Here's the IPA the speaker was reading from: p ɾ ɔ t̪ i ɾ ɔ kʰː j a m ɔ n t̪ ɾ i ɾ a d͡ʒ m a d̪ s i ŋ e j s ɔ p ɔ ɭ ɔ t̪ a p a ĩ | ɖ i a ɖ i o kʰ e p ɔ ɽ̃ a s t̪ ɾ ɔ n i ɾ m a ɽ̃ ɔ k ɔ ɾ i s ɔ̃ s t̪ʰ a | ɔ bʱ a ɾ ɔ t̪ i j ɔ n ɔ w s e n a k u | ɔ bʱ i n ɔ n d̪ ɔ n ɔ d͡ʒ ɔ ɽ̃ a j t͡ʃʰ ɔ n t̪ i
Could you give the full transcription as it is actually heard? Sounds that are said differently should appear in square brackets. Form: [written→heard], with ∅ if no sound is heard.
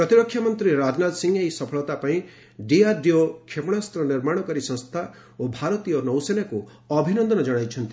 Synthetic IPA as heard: p ɾ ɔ t̪ i ɾ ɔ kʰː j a m ɔ n t̪ ɾ i ɾ a d͡ʒ [m→n] a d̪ s i ŋ e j s ɔ [p→pʰ] ɔ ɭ ɔ t̪ a p a ĩ | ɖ i a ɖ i o kʰ e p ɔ ɽ̃ a s t̪ ɾ ɔ n i ɾ m a ɽ̃ ɔ k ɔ ɾ i s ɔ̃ s t̪ʰ a | [ɔ→o] bʱ a ɾ ɔ t̪ i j ɔ n ɔ w s e n a k u | ɔ bʱ i n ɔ n d̪ ɔ n ɔ d͡ʒ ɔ ɽ̃ a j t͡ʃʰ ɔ n t̪ i